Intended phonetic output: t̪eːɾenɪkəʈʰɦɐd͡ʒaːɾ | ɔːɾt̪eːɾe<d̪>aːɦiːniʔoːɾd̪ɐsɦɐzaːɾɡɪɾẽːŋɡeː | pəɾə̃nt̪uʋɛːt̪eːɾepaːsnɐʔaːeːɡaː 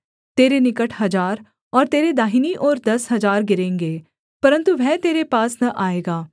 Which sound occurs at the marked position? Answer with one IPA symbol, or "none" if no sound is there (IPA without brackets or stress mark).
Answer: d̪